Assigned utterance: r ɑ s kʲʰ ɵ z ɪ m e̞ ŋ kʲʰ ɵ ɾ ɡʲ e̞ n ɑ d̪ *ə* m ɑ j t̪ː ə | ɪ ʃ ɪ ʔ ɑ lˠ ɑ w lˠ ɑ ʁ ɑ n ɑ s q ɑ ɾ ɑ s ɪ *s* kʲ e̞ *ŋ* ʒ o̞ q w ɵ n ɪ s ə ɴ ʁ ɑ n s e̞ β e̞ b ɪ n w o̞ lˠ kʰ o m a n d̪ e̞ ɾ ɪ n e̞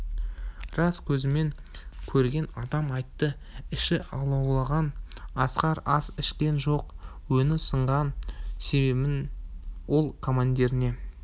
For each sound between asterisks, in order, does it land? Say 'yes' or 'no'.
no, no, no

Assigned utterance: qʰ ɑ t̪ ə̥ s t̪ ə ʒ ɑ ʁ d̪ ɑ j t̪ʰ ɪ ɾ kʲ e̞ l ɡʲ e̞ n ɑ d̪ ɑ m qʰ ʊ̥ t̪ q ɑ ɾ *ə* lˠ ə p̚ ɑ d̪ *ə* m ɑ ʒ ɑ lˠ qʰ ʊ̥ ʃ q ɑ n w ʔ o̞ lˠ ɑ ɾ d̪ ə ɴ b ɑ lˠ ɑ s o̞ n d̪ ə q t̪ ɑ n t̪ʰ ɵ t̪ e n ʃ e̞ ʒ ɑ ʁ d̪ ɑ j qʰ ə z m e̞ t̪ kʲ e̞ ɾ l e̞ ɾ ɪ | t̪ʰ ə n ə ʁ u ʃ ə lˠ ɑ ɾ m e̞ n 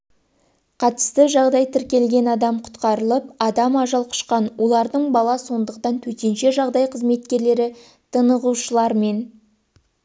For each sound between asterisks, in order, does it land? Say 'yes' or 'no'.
yes, no

